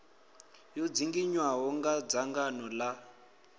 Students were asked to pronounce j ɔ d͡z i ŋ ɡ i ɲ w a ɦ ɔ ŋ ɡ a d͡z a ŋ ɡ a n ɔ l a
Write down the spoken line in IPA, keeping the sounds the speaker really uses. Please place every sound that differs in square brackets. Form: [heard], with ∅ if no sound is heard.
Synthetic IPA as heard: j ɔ d͡z i ŋ ɡ i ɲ w a ɦ ɔ ŋ ɡ a d͡z a ŋ ɡ a n ɔ l a